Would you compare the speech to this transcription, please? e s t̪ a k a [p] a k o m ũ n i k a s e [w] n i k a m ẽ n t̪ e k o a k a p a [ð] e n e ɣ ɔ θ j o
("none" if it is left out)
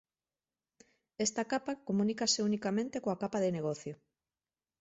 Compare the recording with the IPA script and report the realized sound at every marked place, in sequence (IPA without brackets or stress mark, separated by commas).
p, u, ð